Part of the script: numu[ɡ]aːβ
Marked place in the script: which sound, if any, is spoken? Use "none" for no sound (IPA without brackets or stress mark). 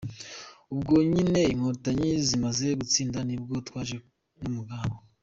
ɡ